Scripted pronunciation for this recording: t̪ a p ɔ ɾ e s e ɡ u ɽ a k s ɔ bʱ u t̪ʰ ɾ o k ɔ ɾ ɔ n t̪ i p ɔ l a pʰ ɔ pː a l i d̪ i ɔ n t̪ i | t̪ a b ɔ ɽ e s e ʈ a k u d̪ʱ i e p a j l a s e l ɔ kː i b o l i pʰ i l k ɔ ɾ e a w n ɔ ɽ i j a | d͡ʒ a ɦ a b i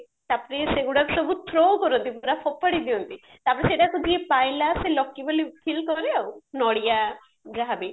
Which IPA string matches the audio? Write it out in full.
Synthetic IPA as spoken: t̪ a p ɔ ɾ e s e ɡ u ɽ a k s ɔ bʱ u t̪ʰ ɾ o k ɔ ɾ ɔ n t̪ i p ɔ ɾ a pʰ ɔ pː a ɽ i d̪ i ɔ n t̪ i | t̪ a p ɔ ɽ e s e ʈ a k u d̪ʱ i e p a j l a s e l ɔ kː i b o l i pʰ i l k ɔ ɾ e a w n ɔ ɽ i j a | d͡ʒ a ɦ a b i

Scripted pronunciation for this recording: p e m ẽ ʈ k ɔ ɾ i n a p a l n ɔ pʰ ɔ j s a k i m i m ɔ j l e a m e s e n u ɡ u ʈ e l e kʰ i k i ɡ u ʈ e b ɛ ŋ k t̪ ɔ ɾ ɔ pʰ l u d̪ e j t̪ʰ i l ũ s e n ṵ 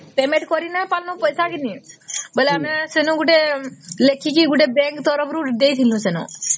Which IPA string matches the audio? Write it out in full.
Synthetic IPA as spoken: p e m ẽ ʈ k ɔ ɾ i n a p a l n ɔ p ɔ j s a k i n i b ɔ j l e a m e s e n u ɡ u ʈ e l e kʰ i k i ɡ u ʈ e b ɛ ŋ k t̪ ɔ ɾ ɔ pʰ ɾ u d̪ e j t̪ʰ i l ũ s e n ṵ

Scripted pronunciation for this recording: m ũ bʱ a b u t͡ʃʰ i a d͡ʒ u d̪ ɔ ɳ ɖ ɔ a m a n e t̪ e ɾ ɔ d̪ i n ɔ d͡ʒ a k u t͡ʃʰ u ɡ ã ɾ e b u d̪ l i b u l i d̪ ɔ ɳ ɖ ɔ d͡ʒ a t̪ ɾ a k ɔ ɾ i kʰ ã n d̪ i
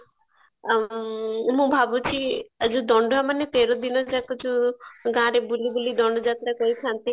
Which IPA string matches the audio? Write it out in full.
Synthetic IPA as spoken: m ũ bʱ a b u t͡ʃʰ i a d͡ʒ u d̪ ɔ ɳ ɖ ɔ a m a n e t̪ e ɾ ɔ d̪ i n ɔ d͡ʒ a k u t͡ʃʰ u ɡ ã ɾ e b u l i b u l i d̪ ɔ ɳ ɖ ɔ d͡ʒ a t̪ ɾ a k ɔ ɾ i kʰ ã n t̪ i

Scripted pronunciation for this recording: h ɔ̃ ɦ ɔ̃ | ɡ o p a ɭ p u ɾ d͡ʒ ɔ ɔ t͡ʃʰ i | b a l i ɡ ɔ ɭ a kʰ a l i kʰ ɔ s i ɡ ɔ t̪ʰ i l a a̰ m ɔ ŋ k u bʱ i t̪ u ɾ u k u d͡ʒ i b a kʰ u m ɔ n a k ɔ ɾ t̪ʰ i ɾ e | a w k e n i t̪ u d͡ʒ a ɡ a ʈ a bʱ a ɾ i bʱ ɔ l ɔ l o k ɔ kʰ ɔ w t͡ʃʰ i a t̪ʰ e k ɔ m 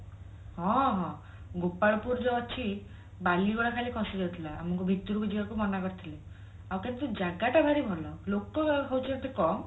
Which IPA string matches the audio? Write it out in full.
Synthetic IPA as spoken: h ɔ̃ ɦ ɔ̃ | ɡ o p a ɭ p u ɾ d͡ʒ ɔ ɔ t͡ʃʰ i | b a l i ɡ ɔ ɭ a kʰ a l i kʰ ɔ s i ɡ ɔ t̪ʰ i l a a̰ m ɔ ŋ k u bʱ i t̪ u ɾ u k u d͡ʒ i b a k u m ɔ n a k ɔ ɾ t̪ʰ i l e | a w k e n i t̪ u d͡ʒ a ɡ a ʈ a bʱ a ɾ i bʱ ɔ l ɔ l o k ɔ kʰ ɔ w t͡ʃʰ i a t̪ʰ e k ɔ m

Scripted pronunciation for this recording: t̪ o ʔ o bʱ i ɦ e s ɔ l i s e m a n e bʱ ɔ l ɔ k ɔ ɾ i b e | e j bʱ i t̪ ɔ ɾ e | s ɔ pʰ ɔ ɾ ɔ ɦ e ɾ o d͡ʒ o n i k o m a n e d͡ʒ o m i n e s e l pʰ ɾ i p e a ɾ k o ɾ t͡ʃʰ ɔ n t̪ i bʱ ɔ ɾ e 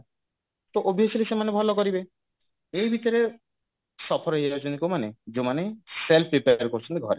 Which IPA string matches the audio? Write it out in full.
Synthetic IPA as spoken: t̪ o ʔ o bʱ i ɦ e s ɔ l i s e m a n e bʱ ɔ l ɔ k ɔ ɾ i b e | e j bʱ i t̪ ɔ ɾ e | s ɔ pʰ ɔ ɾ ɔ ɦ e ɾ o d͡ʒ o n i k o m a n e d͡ʒ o m a n e s e l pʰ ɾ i p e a ɾ k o ɾ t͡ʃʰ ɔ n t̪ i ɡʱ ɔ ɾ e

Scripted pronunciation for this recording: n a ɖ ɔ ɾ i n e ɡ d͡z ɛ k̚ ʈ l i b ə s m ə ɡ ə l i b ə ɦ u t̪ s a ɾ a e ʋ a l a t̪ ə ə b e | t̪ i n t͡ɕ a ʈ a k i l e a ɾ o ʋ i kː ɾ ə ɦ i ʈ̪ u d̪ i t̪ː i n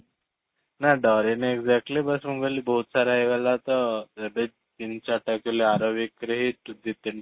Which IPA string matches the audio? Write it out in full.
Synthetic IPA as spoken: n a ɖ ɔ ɾ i n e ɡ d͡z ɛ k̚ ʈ l i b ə s m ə ɡ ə l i b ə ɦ u t̪ s a ɾ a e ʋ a l a t̪ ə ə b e | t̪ i n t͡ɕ a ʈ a k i l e a ɾ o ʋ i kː ɾ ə ɦ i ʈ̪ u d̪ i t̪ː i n

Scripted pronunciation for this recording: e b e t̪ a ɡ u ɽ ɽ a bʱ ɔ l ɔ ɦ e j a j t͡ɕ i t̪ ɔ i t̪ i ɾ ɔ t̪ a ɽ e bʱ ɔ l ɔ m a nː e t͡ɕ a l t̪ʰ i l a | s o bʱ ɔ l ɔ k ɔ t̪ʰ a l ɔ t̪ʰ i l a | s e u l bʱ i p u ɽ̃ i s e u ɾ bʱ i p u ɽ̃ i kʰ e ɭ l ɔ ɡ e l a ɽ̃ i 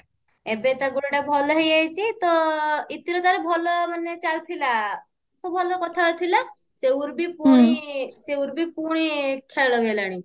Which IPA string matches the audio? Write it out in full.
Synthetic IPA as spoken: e b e t̪ a ɡ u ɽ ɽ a bʱ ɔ l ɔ ɦ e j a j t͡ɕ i t̪ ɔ i t̪ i ɾ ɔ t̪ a ɾ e bʱ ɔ l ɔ m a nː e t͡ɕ a l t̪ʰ i l a | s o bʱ ɔ l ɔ k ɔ t̪ʰ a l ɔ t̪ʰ i l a | s e u ɾ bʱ i p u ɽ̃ i s e u ɾ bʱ i p u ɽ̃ i kʰ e ɭ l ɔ ɡ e l a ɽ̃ i

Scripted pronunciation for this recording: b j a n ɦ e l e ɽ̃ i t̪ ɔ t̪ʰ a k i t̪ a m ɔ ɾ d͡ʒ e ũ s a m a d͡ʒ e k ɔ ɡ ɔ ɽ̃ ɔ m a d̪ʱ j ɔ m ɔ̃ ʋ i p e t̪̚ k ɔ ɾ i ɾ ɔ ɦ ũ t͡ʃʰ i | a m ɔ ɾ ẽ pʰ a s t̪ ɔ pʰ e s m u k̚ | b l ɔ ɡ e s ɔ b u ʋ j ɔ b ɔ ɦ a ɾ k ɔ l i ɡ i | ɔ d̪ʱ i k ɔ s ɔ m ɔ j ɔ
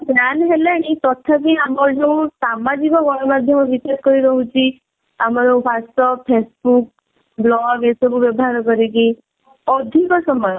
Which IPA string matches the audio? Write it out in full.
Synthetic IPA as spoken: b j a n ɦ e l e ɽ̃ i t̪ ɔ t̪ʰ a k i a m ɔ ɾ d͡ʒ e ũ s a m a d͡ʒ i k ɔ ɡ ɔ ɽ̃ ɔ m a d̪ʱ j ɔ m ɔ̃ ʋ i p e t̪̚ k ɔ ɾ i ɾ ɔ ɦ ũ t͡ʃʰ i | a m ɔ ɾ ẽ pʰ a s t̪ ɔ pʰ e s b u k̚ | b l ɔ ɡ e s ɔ b u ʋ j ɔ b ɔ ɦ a ɾ k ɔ ɾ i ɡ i | ɔ d̪ʱ i k ɔ s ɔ m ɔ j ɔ

